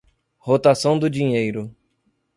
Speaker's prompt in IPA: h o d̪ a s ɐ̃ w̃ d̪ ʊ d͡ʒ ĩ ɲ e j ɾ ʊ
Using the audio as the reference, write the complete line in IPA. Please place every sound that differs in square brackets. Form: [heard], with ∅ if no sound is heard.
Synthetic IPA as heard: h o [t̪] a s ɐ̃ w̃ d̪ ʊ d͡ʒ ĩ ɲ e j ɾ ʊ